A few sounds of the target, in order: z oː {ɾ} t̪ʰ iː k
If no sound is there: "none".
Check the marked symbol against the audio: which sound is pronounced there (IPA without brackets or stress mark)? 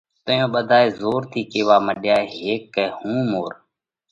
ɾ